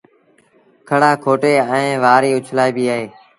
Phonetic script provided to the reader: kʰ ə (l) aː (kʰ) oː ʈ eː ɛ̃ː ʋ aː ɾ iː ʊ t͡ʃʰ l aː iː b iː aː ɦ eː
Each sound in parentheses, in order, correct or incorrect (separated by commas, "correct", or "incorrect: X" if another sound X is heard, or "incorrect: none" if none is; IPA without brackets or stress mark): incorrect: ɽ, correct